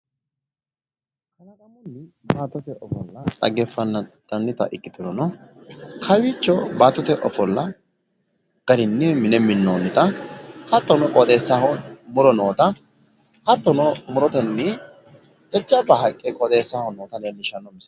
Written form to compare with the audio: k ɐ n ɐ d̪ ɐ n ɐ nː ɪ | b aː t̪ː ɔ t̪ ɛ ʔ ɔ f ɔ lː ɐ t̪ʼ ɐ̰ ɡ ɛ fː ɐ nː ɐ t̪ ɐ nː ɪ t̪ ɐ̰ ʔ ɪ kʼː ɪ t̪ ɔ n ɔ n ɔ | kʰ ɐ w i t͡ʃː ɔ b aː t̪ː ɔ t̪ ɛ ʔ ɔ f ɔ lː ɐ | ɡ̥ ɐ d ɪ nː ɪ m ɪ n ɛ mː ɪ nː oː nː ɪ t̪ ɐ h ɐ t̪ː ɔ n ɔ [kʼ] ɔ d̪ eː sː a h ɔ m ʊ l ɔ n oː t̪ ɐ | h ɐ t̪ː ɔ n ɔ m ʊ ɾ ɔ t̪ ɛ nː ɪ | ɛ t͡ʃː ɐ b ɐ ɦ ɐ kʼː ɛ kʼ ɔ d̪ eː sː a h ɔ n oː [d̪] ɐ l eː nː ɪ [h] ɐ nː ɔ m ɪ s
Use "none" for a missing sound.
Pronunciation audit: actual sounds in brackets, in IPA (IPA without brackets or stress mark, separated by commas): kʼ, t̪, ʃ